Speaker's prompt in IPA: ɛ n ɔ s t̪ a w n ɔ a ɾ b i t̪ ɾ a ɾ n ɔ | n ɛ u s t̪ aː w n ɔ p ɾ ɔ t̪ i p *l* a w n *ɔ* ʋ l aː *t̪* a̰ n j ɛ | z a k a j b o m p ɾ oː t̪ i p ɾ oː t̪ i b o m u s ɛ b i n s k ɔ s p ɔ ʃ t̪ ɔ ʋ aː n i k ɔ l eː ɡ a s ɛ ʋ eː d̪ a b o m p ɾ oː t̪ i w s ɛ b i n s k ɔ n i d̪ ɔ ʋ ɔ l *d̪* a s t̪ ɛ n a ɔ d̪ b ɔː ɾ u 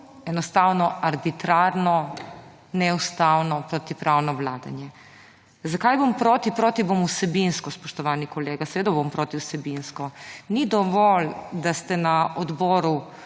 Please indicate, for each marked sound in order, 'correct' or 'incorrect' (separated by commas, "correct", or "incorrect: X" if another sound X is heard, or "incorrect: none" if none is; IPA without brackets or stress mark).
incorrect: ɾ, correct, incorrect: d̪, correct